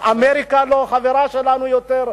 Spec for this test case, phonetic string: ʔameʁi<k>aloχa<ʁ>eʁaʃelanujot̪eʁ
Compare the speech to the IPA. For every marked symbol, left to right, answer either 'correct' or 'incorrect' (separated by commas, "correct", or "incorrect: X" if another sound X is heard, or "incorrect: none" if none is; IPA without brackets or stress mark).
correct, incorrect: v